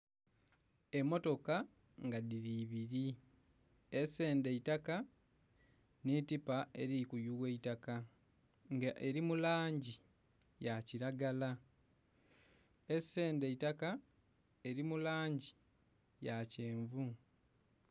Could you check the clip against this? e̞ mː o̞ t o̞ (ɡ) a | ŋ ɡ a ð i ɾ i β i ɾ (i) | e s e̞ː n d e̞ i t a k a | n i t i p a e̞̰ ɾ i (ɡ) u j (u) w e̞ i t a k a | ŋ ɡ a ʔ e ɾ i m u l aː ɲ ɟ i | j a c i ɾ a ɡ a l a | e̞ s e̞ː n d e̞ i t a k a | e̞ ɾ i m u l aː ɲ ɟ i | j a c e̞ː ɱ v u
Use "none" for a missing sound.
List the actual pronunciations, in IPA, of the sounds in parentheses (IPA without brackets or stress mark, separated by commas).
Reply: k, i, k, u